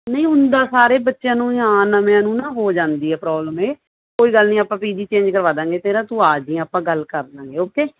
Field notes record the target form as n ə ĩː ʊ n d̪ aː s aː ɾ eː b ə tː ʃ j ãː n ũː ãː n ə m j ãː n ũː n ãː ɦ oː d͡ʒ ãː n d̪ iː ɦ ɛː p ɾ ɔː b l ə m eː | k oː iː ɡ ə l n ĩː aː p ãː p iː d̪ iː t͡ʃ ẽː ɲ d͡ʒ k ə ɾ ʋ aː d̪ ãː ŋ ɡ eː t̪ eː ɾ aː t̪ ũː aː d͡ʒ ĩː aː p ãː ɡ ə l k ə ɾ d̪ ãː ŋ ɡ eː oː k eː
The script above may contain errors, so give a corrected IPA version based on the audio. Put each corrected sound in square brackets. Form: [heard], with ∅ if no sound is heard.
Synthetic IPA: n ə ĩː ʊ n d̪ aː s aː ɾ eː b ə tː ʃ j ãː n ũː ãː n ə m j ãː n ũː n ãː ɦ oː d͡ʒ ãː n d̪ iː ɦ ɛː p ɾ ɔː b l ə m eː | k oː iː ɡ ə l n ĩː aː p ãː p iː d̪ iː t͡ʃ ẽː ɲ d͡ʒ k ə ɾ ʋ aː d̪ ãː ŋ ɡ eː t̪ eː ɾ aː t̪ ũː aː d͡ʒ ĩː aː p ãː ɡ ə l k ə ɾ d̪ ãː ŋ ɡ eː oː k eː